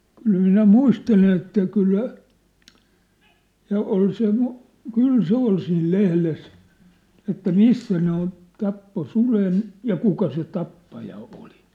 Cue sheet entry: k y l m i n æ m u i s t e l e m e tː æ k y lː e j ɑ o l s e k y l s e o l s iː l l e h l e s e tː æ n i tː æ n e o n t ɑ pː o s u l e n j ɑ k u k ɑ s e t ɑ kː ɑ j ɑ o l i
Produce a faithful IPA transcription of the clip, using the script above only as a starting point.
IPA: k y l m i n æ m u i s t e l e n e tː æ k y lː æ j ɑ o l s e k y l s e o l s iː l l e h l e s e tː æ m i sː æ n e o n t ɑ pː o s u l e n j ɑ k u k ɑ s e t ɑ pː ɑ j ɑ o l i